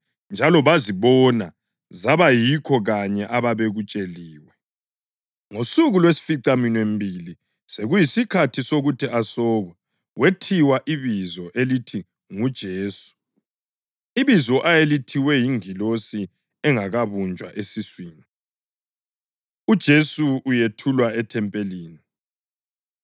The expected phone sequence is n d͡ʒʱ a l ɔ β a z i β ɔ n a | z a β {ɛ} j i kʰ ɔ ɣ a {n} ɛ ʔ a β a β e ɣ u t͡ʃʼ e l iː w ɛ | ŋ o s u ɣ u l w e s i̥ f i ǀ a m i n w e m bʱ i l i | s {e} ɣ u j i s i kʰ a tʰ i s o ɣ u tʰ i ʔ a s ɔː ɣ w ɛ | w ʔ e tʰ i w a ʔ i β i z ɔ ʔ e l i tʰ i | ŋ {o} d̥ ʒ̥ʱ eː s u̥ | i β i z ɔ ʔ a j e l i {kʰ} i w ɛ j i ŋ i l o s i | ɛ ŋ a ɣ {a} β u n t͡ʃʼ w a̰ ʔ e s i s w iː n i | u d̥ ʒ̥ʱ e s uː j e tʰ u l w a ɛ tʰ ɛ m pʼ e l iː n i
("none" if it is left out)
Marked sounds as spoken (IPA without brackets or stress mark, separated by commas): a, ɲ, e, u, tʰ, a